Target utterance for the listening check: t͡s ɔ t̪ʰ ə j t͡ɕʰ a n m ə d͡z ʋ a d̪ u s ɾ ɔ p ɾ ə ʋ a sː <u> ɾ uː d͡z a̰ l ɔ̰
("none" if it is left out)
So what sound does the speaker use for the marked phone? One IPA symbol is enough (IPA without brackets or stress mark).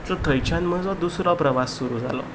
u